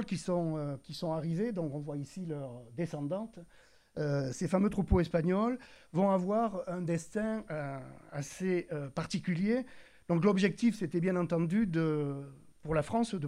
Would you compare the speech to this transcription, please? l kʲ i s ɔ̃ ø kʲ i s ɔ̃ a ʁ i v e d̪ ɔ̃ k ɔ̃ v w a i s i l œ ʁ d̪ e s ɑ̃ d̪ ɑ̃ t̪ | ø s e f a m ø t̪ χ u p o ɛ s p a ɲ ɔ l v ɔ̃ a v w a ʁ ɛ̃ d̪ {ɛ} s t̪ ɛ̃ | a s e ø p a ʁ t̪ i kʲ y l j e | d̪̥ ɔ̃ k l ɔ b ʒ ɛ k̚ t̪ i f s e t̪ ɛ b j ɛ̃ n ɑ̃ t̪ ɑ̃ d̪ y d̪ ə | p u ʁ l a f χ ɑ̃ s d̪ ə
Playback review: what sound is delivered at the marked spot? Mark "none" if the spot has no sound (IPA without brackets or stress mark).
ɛ